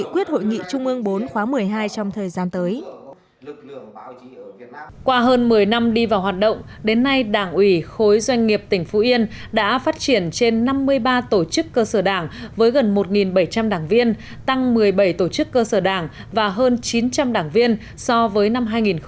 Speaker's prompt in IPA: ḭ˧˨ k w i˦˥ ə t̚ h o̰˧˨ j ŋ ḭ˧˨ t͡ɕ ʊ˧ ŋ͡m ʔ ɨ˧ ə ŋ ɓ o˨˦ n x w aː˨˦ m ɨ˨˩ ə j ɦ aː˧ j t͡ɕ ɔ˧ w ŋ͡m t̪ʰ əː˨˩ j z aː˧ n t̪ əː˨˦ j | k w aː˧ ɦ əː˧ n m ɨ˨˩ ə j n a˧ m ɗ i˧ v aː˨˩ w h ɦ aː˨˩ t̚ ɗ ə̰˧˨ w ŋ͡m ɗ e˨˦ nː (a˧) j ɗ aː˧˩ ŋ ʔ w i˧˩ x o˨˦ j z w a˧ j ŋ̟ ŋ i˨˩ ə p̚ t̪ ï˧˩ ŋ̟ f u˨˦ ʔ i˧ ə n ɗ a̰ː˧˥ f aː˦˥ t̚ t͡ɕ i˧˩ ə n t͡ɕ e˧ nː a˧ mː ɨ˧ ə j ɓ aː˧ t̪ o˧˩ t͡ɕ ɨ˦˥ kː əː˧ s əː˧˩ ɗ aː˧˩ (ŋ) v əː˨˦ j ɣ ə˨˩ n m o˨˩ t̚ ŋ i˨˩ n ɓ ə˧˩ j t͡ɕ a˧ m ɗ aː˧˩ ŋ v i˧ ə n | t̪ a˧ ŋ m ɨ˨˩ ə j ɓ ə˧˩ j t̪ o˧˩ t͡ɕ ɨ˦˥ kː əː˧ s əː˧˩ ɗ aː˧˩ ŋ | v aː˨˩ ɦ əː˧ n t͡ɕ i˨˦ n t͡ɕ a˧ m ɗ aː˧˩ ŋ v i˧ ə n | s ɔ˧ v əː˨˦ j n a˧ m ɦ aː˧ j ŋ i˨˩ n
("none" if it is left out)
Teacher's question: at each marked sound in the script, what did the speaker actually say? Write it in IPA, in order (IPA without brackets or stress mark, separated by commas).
a˧, ŋ